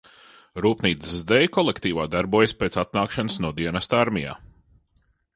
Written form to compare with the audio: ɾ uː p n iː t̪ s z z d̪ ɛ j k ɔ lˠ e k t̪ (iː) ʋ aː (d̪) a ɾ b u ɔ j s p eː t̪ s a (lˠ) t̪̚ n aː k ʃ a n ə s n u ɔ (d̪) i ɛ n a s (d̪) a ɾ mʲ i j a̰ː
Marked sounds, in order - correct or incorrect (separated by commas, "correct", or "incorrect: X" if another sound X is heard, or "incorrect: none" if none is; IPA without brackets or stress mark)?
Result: correct, correct, incorrect: none, correct, incorrect: t̪